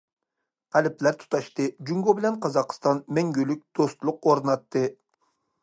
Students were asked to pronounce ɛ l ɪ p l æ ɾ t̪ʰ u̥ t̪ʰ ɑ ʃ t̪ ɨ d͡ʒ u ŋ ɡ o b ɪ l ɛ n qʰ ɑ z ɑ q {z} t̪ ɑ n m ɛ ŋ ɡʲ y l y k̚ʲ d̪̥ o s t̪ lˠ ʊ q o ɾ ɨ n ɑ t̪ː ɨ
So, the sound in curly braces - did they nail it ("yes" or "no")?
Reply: no